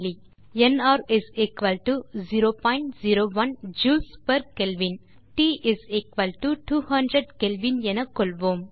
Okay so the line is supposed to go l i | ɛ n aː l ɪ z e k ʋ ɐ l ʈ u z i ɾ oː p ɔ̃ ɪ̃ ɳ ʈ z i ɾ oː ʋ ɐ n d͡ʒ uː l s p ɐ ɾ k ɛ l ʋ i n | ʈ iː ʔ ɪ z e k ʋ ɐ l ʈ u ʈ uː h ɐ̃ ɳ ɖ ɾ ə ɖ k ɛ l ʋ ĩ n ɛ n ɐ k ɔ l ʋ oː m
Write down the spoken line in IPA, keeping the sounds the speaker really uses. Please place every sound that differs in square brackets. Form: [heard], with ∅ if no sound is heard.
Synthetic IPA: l i | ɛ n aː [ɾ] ɪ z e k ʋ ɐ l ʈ u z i ɾ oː p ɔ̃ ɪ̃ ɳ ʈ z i ɾ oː ʋ ɐ n d͡ʒ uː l s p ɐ ɾ k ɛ l ʋ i n | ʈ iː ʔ ɪ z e k ʋ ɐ l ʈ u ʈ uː h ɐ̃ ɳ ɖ ɾ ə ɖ k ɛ l ʋ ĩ n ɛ n ɐ k ɔ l ʋ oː m